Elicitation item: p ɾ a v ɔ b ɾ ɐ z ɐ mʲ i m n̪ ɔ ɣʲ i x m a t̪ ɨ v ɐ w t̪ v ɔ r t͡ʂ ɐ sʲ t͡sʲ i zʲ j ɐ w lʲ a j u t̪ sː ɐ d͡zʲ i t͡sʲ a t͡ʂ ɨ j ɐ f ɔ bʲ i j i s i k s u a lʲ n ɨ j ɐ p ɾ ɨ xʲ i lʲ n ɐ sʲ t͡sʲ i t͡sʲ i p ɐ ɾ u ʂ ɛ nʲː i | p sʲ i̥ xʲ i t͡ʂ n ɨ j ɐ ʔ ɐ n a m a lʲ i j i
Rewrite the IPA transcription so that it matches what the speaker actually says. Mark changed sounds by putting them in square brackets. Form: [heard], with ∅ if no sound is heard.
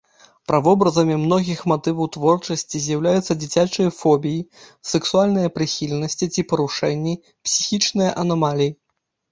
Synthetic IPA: p ɾ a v ɔ b ɾ ɐ z ɐ mʲ i m n̪ ɔ ɣʲ i x m a t̪ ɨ v ɐ w t̪ v ɔ r t͡ʂ ɐ sʲ t͡sʲ i zʲ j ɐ w lʲ a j u t̪ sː ɐ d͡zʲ i t͡sʲ a t͡ʂ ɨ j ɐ f ɔ bʲ i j i s [ɛ] k s u a lʲ n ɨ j ɐ p ɾ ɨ xʲ i lʲ n ɐ sʲ t͡sʲ i t͡sʲ i p ɐ ɾ u ʂ ɛ nʲː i | p sʲ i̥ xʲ i t͡ʂ n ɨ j ɐ ʔ ɐ n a m a lʲ i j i